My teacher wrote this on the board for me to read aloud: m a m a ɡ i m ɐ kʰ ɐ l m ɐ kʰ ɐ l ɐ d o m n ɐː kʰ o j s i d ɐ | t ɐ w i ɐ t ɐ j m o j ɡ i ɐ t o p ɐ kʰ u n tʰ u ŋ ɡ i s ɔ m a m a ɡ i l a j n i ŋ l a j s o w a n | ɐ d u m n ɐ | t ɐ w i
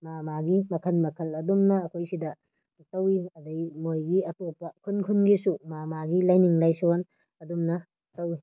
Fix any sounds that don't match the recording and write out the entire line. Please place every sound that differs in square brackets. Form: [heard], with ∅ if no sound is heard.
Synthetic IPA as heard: m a m a ɡ i m ɐ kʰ ɐ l m ɐ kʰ ɐ l ɐ d [u] m n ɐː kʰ o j s i d ɐ | t ɐ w i ɐ [d] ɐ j m o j ɡ i ɐ t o p ɐ kʰ u n [kʰ] u [n] ɡ i s [u] m a m a ɡ i l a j n i ŋ l a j s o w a n | ɐ d u m n ɐ | t ɐ w i